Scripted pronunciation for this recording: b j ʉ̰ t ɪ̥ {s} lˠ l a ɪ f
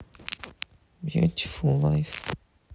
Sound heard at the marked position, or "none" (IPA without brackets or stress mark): f